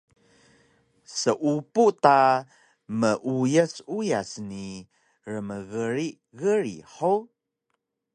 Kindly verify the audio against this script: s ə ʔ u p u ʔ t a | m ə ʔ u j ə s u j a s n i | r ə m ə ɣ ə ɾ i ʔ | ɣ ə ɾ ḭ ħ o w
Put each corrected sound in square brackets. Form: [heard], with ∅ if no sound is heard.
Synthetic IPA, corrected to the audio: s ə ʔ u p u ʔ t a | m ə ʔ u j ə s u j a s n i | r ə m ə ɣ ə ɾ i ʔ | ɣ ə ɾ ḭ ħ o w